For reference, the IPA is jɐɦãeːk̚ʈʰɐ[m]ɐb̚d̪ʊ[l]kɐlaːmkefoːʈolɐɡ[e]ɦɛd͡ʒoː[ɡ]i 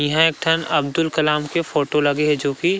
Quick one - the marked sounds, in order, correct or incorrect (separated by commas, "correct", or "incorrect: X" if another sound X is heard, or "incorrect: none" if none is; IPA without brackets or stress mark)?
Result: incorrect: n, correct, correct, incorrect: k